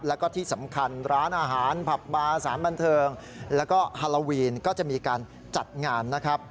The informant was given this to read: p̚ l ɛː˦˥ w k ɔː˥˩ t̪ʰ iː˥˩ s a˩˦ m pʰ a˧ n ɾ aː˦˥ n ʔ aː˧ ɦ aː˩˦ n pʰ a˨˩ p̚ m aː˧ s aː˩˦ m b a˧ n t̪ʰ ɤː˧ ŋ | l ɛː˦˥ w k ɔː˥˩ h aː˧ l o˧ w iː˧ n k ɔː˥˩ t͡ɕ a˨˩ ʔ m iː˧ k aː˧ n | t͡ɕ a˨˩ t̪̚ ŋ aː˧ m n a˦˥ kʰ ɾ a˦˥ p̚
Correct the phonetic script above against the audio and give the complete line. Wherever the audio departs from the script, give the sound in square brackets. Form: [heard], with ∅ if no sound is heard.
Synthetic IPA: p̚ l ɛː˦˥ w k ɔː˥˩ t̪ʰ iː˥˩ s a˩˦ m [kʰ] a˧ n ɾ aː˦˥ n ʔ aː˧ ɦ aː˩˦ n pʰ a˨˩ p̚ m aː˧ s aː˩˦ [n] b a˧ n t̪ʰ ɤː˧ ŋ | l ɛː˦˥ w k ɔː˥˩ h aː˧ l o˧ w iː˧ n k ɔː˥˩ t͡ɕ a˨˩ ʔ m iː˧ k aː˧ n | t͡ɕ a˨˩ t̪̚ ŋ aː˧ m n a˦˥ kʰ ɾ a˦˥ p̚